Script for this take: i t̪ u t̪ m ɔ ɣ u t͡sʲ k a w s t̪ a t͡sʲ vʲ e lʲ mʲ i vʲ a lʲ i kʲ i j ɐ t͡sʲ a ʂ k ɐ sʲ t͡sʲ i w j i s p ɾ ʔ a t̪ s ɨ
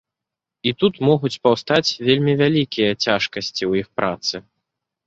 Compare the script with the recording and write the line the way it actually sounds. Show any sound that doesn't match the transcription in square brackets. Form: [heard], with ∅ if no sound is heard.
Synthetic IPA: i t̪ u t̪ m ɔ ɣ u t͡sʲ [p] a w s t̪ a t͡sʲ vʲ e lʲ mʲ i vʲ a lʲ i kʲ i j ɐ t͡sʲ a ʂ k ɐ sʲ t͡sʲ i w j i [x] p ɾ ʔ a t̪ s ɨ